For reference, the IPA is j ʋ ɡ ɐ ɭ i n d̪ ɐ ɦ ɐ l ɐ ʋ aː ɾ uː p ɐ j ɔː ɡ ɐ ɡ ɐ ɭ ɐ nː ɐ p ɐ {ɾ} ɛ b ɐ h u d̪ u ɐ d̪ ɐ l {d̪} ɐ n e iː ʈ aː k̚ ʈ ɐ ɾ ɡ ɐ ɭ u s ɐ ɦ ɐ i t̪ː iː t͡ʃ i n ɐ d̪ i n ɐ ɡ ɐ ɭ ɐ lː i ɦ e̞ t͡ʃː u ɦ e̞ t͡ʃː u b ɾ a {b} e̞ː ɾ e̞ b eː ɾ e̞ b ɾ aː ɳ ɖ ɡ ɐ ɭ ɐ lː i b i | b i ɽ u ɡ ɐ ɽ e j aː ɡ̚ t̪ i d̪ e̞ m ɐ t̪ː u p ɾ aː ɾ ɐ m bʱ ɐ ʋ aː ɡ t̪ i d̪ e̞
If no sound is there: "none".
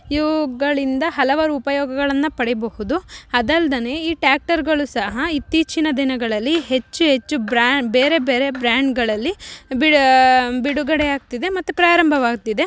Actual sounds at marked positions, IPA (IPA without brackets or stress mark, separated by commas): ɽ, d̪, b